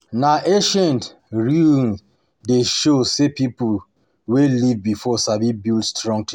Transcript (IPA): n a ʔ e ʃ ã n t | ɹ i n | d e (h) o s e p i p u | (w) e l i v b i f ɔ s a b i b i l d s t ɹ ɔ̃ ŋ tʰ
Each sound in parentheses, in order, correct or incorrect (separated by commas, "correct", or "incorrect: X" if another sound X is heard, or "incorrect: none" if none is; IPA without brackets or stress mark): incorrect: ʃ, correct